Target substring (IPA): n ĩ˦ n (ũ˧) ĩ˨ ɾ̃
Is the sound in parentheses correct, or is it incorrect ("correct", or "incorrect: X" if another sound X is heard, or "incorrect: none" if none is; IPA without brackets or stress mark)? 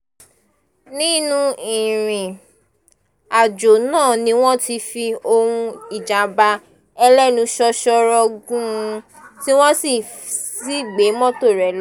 correct